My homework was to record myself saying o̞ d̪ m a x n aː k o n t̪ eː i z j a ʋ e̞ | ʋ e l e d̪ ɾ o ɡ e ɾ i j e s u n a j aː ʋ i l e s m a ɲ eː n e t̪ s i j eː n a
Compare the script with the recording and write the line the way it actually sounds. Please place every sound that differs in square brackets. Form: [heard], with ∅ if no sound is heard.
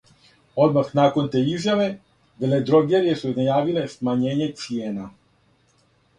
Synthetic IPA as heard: o̞ d̪ m a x n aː k o n t̪ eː i z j a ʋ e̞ | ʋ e l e d̪ ɾ o ɡ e ɾ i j e s u n a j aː ʋ i l e s m a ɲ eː [ɲ] e t̪ s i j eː n a